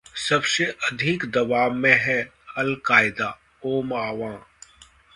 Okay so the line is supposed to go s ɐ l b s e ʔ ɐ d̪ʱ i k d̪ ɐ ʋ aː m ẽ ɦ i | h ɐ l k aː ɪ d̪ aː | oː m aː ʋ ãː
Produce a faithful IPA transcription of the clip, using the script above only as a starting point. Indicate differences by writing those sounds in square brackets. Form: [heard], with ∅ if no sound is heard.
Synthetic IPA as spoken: s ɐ [∅] b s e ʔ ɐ d̪ʱ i k d̪ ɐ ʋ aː m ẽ ɦ [ɛ] | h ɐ l k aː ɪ d̪ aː | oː m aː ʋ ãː